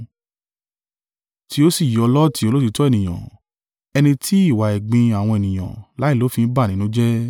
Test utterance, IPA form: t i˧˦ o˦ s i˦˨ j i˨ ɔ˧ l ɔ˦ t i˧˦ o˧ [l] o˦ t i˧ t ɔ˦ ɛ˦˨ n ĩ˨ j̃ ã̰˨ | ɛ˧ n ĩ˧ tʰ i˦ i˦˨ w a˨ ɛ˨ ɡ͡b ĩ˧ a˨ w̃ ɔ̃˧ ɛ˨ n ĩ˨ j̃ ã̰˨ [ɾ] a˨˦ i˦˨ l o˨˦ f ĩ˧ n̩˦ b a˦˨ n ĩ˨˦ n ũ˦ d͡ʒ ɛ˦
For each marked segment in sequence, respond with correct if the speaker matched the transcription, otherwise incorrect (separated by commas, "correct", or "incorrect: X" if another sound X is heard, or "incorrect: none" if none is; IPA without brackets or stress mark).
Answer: correct, incorrect: l